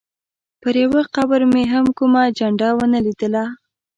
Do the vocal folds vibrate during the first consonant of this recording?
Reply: no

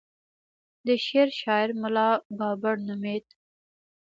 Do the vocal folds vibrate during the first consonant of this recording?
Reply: yes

